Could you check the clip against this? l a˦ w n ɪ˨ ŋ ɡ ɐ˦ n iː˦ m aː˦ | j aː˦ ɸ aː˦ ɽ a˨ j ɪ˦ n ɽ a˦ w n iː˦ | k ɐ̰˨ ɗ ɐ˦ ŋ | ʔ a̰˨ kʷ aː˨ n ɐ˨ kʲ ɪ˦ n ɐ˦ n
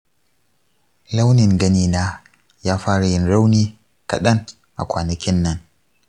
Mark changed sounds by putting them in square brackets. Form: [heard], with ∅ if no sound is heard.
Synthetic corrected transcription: l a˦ w n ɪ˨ ŋ ɡ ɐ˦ n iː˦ [n] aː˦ | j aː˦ ɸ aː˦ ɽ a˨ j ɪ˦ n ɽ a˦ w n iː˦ | k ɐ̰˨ ɗ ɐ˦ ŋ | ʔ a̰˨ kʷ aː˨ n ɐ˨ kʲ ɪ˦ [nː] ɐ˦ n